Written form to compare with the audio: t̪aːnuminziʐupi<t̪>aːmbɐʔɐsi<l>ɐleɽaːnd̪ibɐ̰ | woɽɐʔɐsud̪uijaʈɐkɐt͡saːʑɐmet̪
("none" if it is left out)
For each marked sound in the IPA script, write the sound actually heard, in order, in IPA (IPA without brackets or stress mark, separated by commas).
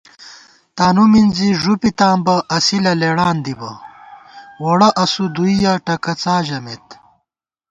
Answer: t̪, l